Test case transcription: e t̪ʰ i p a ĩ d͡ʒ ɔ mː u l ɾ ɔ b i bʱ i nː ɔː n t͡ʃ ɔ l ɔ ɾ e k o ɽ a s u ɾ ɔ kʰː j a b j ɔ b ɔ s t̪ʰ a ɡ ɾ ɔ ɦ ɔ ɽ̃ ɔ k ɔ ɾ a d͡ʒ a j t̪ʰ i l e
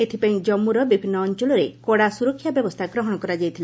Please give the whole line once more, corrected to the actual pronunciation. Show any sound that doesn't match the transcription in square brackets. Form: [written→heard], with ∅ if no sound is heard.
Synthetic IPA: e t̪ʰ i p a ĩ d͡ʒ ɔ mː u [l→∅] ɾ ɔ b i bʱ i nː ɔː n t͡ʃ ɔ l ɔ ɾ e k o ɽ a s u ɾ ɔ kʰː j a b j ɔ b ɔ s t̪ʰ a ɡ ɾ ɔ ɦ ɔ ɽ̃ ɔ k ɔ ɾ a d͡ʒ a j t̪ʰ i l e